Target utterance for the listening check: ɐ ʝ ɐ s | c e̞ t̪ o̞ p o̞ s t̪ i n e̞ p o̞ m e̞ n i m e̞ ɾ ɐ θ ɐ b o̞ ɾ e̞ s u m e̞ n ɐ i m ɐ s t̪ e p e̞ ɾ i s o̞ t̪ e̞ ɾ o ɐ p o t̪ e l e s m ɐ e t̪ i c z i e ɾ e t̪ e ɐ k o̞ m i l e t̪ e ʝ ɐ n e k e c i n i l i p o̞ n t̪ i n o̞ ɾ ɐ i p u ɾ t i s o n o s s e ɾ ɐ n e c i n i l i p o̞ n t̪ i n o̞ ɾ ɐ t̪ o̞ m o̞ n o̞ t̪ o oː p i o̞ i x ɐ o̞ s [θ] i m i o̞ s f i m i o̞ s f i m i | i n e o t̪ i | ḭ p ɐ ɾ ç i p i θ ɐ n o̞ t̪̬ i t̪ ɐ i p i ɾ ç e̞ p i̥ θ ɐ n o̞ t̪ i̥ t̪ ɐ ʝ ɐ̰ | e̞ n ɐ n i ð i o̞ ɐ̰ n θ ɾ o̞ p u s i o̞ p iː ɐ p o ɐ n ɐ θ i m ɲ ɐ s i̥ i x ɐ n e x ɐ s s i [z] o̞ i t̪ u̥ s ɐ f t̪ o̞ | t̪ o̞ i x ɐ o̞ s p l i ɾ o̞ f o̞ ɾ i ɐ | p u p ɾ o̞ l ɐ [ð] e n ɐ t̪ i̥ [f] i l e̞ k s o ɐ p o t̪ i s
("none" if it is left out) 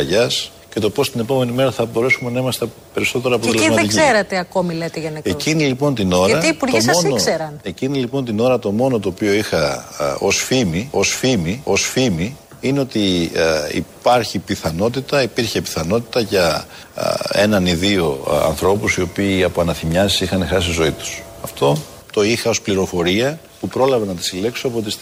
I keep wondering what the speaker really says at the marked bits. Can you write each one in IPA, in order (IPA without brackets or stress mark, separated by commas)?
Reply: f, z, v, s